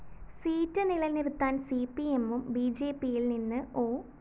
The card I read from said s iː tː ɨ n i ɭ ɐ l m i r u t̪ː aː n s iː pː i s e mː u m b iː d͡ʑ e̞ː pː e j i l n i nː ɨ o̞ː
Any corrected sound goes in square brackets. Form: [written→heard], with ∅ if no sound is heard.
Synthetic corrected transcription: s iː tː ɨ n i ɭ ɐ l [m→n] i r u t̪ː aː n s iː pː i [s→∅] e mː u m b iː d͡ʑ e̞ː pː [e→i] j i l n i nː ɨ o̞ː

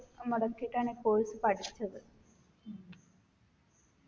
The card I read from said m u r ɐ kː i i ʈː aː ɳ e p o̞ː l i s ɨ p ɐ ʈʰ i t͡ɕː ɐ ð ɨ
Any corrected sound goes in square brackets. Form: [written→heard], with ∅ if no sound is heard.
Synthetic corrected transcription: m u [r→ɽ] ɐ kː i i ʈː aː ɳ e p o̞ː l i s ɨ p ɐ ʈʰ i t͡ɕː ɐ ð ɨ

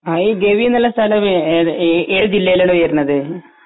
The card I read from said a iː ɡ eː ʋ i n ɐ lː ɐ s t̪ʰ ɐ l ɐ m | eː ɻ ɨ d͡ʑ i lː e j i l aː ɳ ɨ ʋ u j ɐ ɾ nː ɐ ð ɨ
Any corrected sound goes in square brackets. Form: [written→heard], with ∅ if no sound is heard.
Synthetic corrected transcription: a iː ɡ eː ʋ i n ɐ lː ɐ s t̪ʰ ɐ l ɐ m | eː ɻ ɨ d͡ʑ i lː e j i l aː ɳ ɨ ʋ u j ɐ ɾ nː ɐ ð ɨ

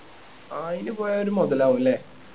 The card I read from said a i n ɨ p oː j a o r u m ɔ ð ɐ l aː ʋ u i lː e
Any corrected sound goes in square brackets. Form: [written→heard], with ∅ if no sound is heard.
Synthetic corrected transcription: a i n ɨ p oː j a o [r→ɾ] u m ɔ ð ɐ l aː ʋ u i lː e

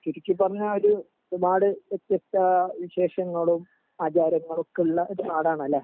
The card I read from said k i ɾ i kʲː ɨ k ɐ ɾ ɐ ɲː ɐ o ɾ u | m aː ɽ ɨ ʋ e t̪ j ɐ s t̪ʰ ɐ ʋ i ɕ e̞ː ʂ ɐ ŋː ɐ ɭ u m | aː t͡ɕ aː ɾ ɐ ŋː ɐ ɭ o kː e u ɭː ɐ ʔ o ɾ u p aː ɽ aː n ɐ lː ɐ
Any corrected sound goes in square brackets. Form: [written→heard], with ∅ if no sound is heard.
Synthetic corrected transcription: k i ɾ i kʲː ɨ [k→p] ɐ [ɾ→r] ɐ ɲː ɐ o ɾ u | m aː ɽ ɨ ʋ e t̪ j ɐ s [t̪ʰ→t̪] ɐ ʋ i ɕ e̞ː ʂ ɐ ŋː ɐ ɭ u m | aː t͡ɕ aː ɾ ɐ ŋː ɐ ɭ o kː e u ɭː ɐ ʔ o ɾ u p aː ɽ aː [n→ɳ] ɐ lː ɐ

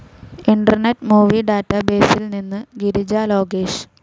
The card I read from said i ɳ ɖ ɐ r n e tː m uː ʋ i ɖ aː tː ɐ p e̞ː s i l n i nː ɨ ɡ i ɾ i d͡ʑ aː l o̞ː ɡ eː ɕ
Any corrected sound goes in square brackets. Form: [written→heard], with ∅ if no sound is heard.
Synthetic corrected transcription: i ɳ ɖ ɐ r n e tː m uː ʋ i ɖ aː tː ɐ [p→b] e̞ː s i l n i nː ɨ ɡ i ɾ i d͡ʑ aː l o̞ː ɡ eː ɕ

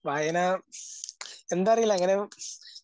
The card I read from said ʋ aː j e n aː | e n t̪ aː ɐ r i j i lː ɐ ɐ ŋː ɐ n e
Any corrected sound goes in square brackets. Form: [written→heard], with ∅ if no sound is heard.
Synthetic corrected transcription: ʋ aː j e n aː | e n [t̪→d̪] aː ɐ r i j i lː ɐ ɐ ŋː ɐ n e

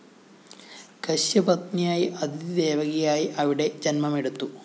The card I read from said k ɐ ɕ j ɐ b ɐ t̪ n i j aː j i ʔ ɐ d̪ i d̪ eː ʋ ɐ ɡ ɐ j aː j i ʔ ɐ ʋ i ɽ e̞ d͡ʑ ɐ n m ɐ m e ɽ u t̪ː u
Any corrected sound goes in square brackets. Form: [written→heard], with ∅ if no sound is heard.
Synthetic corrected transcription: k ɐ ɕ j ɐ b ɐ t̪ n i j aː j i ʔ ɐ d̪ i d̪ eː ʋ ɐ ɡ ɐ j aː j i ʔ ɐ ʋ i ɽ e̞ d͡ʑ ɐ n m ɐ m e ɽ u t̪ː u

